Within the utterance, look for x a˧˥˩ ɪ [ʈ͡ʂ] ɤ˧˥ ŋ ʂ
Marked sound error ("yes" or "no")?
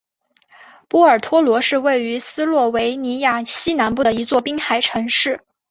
yes